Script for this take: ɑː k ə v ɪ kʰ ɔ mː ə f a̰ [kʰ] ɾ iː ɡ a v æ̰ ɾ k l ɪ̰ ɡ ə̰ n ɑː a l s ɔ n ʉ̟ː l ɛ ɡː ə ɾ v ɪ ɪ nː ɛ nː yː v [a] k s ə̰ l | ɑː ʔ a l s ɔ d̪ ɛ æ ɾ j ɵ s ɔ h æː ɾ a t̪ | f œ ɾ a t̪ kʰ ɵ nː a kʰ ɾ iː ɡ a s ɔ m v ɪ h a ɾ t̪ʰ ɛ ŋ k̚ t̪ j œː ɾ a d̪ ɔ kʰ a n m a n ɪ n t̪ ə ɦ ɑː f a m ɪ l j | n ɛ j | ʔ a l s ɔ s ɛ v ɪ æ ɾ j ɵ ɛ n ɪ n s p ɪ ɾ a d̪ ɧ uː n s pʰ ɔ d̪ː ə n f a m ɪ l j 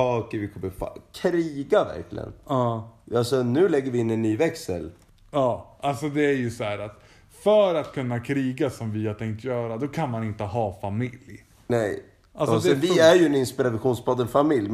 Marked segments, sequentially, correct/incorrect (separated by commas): correct, incorrect